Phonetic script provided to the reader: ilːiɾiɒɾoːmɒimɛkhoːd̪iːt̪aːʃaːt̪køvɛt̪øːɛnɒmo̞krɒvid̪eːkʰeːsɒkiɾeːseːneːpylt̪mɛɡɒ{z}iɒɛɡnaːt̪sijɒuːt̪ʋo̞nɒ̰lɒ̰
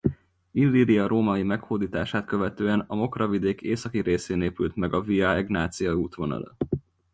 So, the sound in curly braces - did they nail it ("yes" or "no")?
no